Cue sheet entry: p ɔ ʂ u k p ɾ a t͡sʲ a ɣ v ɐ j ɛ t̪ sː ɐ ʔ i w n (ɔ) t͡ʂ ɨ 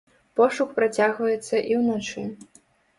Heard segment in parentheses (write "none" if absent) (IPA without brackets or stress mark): ɔ